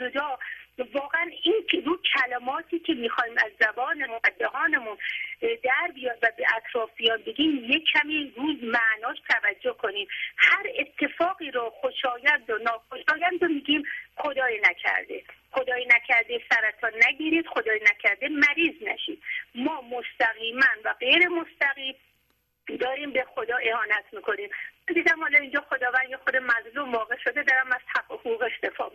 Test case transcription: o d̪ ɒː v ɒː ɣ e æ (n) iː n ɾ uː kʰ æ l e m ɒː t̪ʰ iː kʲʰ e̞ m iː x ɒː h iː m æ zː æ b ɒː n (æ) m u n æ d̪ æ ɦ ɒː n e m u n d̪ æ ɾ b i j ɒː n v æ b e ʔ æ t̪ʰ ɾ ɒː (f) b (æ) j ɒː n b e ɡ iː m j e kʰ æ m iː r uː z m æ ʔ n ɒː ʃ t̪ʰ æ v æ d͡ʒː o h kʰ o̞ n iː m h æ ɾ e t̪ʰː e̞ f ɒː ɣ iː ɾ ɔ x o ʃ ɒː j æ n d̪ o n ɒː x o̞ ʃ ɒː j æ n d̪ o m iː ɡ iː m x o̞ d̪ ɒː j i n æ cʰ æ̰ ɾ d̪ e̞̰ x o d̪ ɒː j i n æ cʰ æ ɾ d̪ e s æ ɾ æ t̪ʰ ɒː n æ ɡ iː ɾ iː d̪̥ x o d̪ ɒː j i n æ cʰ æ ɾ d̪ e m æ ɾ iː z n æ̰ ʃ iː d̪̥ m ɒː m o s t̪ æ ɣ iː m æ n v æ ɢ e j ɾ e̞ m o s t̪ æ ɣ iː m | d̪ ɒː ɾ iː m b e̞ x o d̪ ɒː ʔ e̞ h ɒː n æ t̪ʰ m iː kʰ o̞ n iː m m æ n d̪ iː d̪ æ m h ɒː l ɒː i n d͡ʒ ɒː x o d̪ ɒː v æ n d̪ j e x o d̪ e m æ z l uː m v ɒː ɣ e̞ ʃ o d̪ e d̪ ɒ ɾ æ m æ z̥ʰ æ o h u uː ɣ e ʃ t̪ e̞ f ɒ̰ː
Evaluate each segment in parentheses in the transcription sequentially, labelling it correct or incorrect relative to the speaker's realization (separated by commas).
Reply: correct, incorrect, correct, incorrect